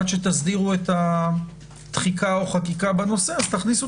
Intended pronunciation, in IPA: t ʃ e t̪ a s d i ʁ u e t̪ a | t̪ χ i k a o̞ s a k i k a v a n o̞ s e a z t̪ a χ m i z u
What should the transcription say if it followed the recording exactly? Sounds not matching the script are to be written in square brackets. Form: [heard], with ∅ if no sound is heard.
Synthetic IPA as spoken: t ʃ e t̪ a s d i ʁ u e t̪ a | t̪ χ i k a o̞ [χ] a k i k a [b] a n o̞ s e a z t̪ a χ [n] i [s] u